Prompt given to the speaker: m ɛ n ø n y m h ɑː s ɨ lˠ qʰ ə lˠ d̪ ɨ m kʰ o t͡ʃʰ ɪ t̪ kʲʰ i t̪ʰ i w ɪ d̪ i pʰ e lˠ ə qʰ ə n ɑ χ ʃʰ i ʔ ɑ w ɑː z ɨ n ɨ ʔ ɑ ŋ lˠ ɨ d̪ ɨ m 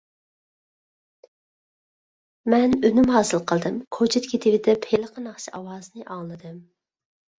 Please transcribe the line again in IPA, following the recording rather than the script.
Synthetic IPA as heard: m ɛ n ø n y m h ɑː s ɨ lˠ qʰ ə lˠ d̪ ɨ m kʰ o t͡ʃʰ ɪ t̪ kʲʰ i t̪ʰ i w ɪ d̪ ɛ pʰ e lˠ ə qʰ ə n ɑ χ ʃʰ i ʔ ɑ w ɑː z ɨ n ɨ ʔ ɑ ŋ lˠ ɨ d̪ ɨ m

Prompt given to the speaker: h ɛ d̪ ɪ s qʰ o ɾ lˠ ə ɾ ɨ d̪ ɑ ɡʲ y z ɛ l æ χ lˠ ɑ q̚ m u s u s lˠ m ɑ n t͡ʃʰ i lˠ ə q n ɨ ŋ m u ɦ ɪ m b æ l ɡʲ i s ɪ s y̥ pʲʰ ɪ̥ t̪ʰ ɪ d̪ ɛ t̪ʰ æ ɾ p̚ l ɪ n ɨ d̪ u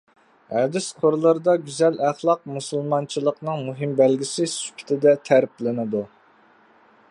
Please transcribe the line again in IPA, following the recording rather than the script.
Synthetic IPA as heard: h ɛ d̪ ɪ s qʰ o ɾ lˠ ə ɾ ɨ d̪ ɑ ɡʲ y z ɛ l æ χ lˠ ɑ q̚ m u s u lˠ m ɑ n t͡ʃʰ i lˠ ə q n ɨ ŋ m u ɦ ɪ m b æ l ɡʲ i s ɪ s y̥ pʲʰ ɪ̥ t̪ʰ ɪ d̪ ɛ t̪ʰ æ ɾ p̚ l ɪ n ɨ d̪ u

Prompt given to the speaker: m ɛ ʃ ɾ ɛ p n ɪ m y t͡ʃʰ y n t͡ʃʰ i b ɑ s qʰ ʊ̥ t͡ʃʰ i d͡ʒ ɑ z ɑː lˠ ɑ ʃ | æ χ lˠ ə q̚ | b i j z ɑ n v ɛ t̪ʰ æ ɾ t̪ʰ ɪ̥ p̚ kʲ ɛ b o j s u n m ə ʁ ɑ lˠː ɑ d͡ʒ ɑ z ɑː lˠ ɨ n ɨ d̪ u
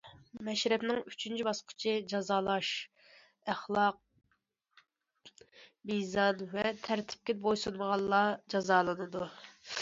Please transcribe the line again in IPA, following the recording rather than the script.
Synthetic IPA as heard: m ɛ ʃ ɾ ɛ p n ɪ ŋ y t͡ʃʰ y n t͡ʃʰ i b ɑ s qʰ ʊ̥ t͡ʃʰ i d͡ʒ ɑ z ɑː lˠ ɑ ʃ | æ χ lˠ ɑ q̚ | b i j z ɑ n v ɛ t̪ʰ æ ɾ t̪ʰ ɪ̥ p̚ kʲ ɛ b o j s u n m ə ʁ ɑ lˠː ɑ d͡ʒ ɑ z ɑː lˠ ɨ n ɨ d̪ u

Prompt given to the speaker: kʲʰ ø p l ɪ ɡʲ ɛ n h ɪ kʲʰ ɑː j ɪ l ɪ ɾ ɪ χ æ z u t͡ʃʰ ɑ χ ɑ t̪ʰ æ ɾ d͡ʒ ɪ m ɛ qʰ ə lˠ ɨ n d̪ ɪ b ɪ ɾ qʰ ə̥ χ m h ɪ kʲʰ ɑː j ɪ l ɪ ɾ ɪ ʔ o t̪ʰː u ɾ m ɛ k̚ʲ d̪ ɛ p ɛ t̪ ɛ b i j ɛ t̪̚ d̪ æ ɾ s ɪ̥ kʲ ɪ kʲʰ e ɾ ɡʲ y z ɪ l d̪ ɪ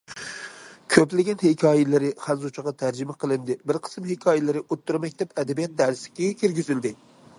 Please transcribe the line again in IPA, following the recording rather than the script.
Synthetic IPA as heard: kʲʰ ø p l ɪ ɡʲ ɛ n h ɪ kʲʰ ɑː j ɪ l ɪ ɾ ɪ χ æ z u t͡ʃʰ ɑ ʁ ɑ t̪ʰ æ ɾ d͡ʒ ɪ m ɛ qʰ ə lˠ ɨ n d̪ ɪ b ɪ ɾ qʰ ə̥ s m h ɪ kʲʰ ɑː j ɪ l ɪ ɾ ɪ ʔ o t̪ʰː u ɾ m ɛ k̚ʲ d̪ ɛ p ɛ d̪ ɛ b i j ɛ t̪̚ d̪ æ ɾ s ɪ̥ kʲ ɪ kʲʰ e ɾ ɡʲ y z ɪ l d̪ ɪ

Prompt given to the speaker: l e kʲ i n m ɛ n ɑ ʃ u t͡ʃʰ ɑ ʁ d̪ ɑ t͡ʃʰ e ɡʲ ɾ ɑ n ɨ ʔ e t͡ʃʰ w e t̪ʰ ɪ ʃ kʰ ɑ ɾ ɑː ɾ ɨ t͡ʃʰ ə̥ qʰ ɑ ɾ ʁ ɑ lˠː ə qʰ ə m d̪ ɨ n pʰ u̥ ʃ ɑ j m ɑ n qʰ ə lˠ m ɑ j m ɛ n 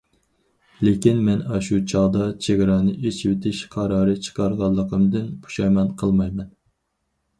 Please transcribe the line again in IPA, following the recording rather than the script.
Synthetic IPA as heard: l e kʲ i n m ɛ n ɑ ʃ u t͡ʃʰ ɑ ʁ d̪ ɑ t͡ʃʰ e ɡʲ ɾ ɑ n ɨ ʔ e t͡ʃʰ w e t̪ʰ ɪ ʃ qʰ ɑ ɾ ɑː ɾ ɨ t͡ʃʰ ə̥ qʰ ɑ ɾ ʁ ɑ lˠː ə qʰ ə m d̪ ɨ n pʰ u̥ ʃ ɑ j m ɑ n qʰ ə lˠ m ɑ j m ɛ n

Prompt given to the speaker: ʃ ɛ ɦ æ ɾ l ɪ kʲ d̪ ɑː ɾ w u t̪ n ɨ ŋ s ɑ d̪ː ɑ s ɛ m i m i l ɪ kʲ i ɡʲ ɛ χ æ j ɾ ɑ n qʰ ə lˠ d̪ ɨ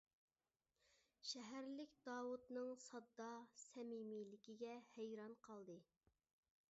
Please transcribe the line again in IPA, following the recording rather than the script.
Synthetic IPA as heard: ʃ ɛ ɦ æ ɾ l ɪ kʲ d̪ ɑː w u t̪ n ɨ ŋ s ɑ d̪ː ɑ s ɛ m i m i l ɪ kʲ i ɡʲ ɛ h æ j ɾ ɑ n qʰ ɑ lˠ d̪ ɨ

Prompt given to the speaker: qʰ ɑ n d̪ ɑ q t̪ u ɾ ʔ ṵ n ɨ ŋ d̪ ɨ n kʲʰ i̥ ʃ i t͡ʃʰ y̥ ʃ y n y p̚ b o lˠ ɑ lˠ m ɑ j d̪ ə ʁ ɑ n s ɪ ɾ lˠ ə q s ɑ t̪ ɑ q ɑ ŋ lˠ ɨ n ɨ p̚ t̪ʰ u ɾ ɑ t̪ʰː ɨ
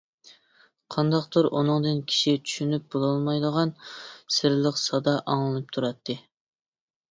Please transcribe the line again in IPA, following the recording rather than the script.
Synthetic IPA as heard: qʰ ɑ n d̪ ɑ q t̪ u ɾ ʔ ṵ n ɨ ŋ d̪ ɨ n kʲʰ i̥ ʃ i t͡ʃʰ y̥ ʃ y n y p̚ b o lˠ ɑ lˠ m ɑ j d̪ ə ʁ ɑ n s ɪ ɾ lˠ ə q s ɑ d̪ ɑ ʔ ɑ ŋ lˠ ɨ n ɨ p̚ t̪ʰ u ɾ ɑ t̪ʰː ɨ

